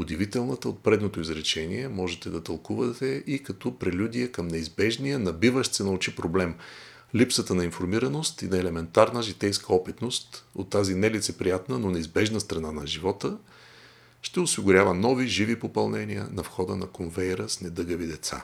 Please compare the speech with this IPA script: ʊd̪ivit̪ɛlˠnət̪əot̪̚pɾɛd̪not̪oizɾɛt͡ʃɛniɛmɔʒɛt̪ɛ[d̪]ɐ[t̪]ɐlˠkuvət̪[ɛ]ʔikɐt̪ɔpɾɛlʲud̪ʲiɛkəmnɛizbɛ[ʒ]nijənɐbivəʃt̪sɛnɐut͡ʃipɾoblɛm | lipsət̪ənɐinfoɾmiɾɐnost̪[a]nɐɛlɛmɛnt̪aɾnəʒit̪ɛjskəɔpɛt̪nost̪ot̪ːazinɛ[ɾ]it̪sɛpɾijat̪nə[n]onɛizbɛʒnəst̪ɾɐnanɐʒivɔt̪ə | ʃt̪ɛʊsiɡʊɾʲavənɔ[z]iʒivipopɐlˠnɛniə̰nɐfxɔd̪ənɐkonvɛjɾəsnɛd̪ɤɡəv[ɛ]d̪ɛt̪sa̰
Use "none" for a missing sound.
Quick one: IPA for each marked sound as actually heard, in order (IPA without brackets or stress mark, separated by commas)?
d̪, t̪, ɛ, ʒ, i, l, n, v, i